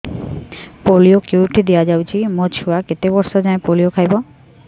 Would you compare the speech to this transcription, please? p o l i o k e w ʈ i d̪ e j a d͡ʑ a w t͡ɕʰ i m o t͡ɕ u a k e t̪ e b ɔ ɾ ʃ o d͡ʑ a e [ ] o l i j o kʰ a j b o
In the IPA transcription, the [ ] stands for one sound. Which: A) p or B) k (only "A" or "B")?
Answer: A